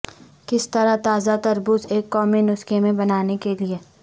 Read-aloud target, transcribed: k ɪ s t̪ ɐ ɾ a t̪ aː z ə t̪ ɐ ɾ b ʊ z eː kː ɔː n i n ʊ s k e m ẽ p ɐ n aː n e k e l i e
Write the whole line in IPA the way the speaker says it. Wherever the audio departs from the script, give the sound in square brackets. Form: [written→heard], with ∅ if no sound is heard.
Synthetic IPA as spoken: k ɪ s t̪ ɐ ɾ a t̪ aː z [ə→a] t̪ ɐ ɾ b ʊ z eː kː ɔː [n→m] i n ʊ s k e m ẽ [p→b] ɐ n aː n e k e l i e